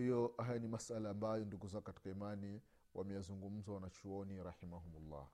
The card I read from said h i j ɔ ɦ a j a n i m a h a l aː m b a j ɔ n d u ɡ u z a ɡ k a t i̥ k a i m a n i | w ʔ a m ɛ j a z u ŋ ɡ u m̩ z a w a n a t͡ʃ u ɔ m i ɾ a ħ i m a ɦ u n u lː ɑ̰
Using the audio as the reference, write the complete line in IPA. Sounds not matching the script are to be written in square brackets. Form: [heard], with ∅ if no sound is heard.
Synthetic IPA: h i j ɔ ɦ a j a n i m a [s] a l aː m b a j ɔ n d u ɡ u z a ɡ k a t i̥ k a i m a n i | w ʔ a m ɛ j a z u ŋ ɡ u m̩ z a w a n a t͡ʃ u ɔ [n] i ɾ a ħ i m a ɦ u [m] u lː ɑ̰